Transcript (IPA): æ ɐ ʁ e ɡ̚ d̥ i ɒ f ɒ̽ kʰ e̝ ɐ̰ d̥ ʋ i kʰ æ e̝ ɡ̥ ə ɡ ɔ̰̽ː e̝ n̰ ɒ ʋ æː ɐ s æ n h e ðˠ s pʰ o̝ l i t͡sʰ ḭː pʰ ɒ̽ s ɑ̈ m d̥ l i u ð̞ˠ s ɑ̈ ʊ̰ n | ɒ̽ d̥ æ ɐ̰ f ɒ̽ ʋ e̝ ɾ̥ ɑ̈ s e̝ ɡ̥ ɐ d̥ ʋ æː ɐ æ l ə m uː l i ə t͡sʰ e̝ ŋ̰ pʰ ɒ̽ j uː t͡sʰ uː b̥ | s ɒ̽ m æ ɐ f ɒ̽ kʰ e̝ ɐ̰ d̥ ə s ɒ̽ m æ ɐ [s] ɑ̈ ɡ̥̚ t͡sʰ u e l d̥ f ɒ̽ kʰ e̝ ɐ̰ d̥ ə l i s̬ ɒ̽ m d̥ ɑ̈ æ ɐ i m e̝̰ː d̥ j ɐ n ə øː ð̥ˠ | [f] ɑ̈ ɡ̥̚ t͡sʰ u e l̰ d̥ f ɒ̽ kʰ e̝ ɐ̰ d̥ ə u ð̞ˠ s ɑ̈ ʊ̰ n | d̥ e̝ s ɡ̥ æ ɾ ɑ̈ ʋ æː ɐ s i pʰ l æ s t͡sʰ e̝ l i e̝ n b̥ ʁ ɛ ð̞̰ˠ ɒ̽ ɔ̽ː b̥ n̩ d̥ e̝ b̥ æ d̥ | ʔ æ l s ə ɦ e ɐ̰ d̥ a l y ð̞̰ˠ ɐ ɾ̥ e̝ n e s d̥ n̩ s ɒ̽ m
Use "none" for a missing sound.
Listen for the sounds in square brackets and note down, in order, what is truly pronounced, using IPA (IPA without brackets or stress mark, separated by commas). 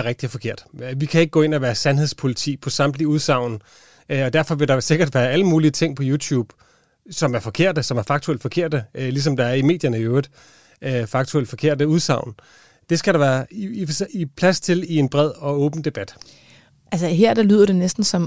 f, f